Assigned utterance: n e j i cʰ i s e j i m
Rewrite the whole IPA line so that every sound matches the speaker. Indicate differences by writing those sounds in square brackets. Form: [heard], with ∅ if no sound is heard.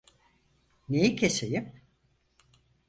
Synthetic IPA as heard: n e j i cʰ [e] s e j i m